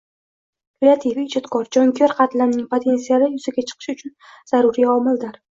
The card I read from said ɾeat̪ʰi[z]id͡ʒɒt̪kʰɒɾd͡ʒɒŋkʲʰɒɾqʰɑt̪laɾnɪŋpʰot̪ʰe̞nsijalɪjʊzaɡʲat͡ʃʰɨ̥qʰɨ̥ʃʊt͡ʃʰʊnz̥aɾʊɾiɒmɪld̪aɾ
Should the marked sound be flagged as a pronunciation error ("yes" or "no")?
yes